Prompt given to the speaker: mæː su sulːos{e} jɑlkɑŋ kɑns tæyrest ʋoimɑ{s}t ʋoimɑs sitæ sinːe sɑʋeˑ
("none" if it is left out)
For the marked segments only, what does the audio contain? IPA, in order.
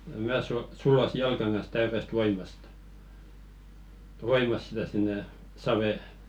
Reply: i, s

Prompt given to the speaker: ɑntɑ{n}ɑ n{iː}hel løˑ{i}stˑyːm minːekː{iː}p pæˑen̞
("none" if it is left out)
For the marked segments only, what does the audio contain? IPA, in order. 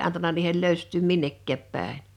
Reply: n, iː, y, æː

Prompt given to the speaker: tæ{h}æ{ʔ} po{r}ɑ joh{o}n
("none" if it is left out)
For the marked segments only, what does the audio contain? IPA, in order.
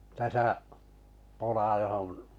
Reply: s, ʔ, l, o

